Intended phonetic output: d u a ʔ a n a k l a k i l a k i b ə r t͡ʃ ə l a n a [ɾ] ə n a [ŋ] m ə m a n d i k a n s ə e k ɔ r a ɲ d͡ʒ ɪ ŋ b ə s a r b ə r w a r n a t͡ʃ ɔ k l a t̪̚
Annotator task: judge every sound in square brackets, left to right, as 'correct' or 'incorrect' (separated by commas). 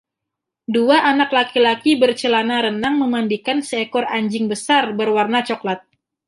correct, correct